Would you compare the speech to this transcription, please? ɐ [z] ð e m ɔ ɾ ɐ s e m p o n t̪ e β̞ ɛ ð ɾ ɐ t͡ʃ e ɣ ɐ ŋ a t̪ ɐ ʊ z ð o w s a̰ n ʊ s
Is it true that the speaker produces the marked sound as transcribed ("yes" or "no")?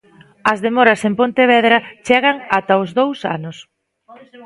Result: yes